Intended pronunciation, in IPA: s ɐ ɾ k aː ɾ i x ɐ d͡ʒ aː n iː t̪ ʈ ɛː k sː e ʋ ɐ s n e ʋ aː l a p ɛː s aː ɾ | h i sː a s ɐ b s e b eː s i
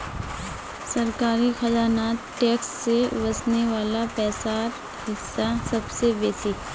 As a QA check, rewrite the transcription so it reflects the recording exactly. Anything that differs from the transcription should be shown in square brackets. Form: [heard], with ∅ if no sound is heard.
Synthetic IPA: s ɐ ɾ k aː ɾ i x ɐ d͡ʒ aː n [aː] t̪ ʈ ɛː k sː e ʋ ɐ s n e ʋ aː l a p ɛː s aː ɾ | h [ɪ] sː a s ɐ b s e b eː s i

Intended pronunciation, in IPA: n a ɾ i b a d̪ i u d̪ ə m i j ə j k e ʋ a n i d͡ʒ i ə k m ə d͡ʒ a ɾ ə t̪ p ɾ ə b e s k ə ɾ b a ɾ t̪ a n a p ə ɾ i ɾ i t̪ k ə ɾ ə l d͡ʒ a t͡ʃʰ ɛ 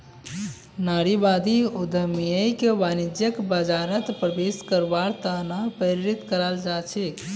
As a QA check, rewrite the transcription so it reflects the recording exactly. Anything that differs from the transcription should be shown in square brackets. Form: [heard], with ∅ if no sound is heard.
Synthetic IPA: n a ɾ i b a d̪ i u d̪ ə m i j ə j k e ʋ a n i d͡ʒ [j] ə k [b] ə d͡ʒ a ɾ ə t̪ p ɾ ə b e s k ə ɾ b a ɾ t̪ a n a p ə ɾ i ɾ i t̪ k ə ɾ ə l d͡ʒ a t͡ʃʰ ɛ

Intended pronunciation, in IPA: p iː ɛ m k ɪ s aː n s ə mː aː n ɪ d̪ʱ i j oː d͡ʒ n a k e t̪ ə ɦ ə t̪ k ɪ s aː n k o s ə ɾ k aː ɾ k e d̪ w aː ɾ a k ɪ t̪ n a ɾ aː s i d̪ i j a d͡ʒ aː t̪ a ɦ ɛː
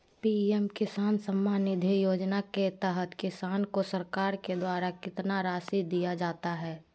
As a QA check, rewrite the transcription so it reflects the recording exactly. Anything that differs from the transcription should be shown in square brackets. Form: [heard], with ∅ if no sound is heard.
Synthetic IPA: p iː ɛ m k ɪ s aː n s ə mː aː n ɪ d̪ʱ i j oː d͡ʒ n a k e t̪ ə ɦ ə t̪ k ɪ s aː n k o s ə ɾ k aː ɾ k e d̪ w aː ɾ a k ɪ t̪ n a ɾ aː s i d̪ i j a d͡ʒ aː t̪ a ɦ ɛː

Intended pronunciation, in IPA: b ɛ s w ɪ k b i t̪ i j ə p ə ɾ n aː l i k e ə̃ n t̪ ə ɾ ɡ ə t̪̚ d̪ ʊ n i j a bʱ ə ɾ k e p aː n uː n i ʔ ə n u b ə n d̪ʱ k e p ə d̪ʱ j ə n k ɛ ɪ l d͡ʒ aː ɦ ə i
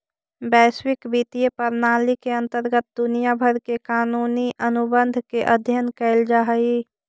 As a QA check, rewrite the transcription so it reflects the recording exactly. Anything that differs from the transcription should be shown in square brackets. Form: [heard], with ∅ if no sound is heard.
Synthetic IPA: b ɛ s w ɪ k b i t̪ i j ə p ə ɾ n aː l i k e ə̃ n t̪ ə ɾ ɡ ə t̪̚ d̪ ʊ n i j a bʱ ə ɾ k e [k] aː n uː n i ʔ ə n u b ə n d̪ʱ k e [ʔ] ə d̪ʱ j ə n k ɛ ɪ l d͡ʒ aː ɦ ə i

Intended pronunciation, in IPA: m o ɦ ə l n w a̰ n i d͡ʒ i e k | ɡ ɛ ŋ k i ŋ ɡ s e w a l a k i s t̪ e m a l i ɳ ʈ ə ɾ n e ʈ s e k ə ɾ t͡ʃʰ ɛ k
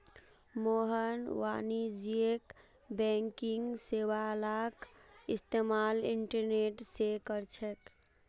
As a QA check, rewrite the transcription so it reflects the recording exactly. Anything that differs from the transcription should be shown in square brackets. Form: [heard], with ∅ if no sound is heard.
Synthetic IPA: m o ɦ ə [∅] n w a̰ n i d͡ʒ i e k | [b] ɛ ŋ k i ŋ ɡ s e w a l a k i s t̪ e m a l i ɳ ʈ ə ɾ n e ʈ s e k ə ɾ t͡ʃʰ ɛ k

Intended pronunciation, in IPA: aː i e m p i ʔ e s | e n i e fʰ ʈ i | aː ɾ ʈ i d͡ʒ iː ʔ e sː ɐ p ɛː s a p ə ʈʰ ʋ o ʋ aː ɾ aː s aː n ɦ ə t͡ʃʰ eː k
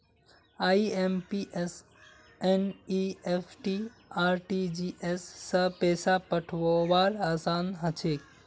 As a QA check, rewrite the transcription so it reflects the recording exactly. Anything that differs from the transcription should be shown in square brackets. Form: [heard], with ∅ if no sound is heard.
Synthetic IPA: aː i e m p i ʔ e s | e n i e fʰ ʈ i | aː ɾ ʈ i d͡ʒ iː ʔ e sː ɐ p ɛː s a p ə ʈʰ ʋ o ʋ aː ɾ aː s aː n ɦ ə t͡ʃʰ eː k

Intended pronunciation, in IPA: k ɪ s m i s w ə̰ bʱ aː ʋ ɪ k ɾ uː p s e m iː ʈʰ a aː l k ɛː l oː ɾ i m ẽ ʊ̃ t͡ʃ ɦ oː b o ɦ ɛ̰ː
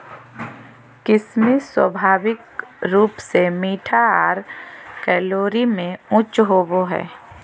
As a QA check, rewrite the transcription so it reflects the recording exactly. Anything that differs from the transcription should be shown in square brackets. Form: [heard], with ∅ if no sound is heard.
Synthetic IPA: k ɪ s m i s w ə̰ bʱ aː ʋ ɪ k ɾ uː p s e m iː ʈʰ a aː [ɾ] k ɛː l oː ɾ i m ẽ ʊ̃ t͡ʃ ɦ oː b o ɦ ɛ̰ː

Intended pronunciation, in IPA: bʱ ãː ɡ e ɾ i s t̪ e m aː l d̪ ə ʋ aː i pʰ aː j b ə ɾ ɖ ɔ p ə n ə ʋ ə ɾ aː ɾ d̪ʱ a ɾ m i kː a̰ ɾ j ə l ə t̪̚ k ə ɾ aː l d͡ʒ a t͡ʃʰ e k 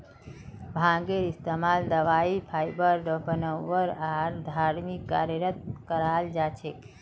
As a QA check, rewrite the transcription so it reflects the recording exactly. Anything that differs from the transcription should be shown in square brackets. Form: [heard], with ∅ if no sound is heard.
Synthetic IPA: bʱ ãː ɡ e ɾ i s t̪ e m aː l d̪ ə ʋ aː i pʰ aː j b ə ɾ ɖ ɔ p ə n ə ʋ ə ɾ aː ɾ d̪ʱ a ɾ m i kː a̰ ɾ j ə [ɾ] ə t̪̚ k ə ɾ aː l d͡ʒ a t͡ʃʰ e k

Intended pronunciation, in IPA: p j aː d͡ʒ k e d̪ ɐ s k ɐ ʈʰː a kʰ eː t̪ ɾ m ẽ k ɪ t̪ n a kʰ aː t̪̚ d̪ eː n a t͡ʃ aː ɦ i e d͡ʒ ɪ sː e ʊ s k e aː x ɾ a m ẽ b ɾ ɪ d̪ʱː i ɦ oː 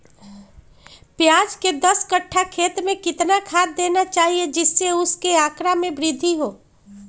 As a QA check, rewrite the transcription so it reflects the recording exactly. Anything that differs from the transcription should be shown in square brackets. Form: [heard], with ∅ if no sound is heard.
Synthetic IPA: p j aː d͡ʒ k e d̪ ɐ s k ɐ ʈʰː a kʰ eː t̪ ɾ m ẽ k ɪ t̪ n a kʰ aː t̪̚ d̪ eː n a t͡ʃ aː ɦ i e d͡ʒ ɪ sː e ʊ s k e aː [k] ɾ a m ẽ b ɾ ɪ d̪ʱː i ɦ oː

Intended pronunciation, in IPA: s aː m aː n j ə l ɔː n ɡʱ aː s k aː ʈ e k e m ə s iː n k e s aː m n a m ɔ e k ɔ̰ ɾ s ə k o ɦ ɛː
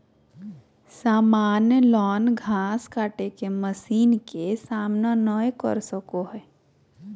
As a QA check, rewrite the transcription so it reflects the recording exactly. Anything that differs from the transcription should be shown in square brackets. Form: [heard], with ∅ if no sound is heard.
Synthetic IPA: s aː m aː n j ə l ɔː n ɡʱ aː s k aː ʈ e k e m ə s iː n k e s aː m n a [n] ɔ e k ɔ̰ ɾ s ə k o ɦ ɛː

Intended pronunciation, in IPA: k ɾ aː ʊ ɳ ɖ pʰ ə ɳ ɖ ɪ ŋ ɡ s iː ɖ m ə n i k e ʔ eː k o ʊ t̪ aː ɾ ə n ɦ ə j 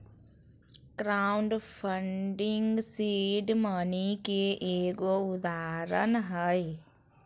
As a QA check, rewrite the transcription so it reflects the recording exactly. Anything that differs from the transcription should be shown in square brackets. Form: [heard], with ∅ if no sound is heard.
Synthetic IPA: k ɾ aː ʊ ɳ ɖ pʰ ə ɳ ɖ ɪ ŋ ɡ s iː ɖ m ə n i k e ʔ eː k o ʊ [d̪] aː ɾ ə n ɦ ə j

